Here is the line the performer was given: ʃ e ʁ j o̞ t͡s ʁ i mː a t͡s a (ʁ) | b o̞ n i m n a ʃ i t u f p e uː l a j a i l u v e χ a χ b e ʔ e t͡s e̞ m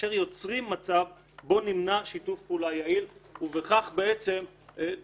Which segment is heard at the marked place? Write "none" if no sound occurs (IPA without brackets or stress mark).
v